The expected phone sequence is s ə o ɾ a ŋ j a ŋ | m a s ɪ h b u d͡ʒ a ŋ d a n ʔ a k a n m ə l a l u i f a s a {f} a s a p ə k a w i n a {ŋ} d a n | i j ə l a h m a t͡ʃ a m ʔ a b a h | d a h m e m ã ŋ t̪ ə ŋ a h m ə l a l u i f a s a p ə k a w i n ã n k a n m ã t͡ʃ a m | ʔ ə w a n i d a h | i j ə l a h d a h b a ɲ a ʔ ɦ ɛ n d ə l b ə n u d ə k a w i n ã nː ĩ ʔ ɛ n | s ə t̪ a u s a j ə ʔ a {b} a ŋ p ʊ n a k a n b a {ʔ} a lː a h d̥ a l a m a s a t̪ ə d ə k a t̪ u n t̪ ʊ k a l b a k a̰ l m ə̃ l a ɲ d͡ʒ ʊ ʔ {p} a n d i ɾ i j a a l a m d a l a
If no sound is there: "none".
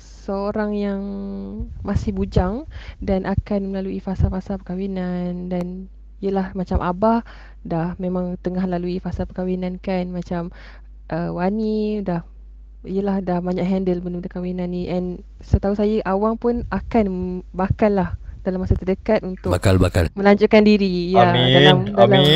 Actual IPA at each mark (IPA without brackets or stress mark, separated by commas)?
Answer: f, n, w, k, k